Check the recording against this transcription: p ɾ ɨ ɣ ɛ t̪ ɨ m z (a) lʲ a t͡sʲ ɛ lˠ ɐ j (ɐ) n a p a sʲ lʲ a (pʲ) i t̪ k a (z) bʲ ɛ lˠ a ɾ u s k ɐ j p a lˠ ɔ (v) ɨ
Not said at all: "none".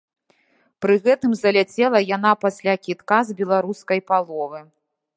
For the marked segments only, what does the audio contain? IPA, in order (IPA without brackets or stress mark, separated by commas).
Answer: ɐ, a, kʲ, z, v